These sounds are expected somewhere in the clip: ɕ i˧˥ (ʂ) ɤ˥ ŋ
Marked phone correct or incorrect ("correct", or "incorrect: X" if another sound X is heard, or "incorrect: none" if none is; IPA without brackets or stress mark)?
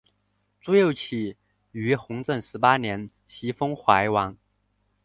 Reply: incorrect: f